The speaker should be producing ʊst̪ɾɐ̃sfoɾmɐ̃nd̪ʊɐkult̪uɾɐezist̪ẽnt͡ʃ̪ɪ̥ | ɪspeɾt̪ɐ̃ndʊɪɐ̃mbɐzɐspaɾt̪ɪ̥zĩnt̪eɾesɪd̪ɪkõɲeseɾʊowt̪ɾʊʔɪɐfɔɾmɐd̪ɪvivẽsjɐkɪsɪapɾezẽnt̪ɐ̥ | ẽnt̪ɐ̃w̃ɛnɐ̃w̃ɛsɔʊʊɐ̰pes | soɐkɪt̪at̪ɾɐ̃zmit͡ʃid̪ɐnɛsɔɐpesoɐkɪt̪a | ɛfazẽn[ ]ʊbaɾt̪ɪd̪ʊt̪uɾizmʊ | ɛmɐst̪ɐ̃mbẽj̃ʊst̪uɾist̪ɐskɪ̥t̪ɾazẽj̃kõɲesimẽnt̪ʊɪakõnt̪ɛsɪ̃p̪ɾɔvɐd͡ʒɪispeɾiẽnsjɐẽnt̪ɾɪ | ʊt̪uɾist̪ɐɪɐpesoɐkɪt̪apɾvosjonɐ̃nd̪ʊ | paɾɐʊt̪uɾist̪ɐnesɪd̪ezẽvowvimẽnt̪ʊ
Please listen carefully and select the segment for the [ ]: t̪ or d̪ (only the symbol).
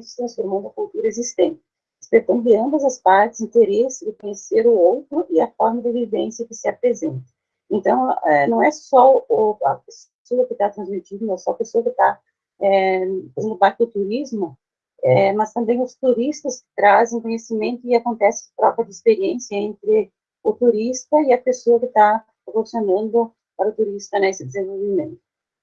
d̪